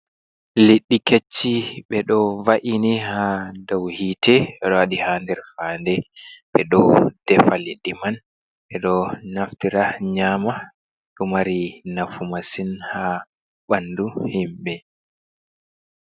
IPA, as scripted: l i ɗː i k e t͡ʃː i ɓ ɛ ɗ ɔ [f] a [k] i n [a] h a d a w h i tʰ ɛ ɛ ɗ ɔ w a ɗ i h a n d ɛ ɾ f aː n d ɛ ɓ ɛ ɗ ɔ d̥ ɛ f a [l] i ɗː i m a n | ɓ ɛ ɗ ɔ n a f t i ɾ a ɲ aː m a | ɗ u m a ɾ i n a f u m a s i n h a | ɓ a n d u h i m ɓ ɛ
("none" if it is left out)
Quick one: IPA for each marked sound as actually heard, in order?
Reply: v, ʔ, i, l

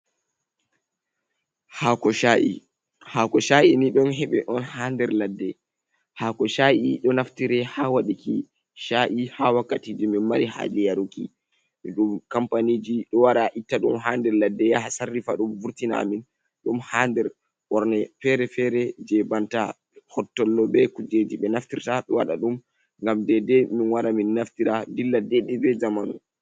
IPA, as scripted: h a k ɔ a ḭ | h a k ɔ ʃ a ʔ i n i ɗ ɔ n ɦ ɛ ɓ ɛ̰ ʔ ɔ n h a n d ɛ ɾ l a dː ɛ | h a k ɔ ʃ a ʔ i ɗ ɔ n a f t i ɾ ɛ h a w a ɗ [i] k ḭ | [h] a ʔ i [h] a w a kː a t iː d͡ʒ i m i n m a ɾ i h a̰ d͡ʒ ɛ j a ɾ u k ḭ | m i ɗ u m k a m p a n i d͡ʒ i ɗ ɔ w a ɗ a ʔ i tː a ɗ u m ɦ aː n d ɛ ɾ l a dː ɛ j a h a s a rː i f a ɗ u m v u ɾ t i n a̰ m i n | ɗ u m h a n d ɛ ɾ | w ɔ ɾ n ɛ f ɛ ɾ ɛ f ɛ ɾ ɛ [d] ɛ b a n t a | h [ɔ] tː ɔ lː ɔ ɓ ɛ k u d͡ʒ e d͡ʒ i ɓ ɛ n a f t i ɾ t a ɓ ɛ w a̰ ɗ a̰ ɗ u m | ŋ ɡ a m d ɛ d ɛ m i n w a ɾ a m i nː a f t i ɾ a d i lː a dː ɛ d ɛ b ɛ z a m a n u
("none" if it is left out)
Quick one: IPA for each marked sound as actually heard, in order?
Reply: i, ʃ, h, d͡ʒ, ɔ

